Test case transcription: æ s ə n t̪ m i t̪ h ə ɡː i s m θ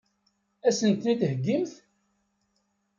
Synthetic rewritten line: æ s ə n t̪ n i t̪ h ə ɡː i m θ